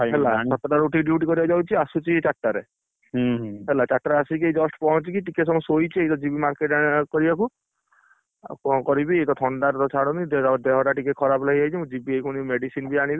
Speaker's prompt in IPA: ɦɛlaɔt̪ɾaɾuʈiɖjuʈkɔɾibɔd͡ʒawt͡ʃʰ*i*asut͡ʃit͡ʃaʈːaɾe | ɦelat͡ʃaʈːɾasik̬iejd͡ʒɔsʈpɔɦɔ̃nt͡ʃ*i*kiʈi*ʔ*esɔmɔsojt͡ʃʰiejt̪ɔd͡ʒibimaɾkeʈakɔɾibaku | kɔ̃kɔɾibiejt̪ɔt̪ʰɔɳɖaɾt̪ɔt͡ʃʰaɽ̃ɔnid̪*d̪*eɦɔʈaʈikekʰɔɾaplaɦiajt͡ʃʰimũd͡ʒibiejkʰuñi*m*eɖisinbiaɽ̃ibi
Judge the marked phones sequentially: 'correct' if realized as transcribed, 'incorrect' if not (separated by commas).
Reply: correct, correct, incorrect, correct, correct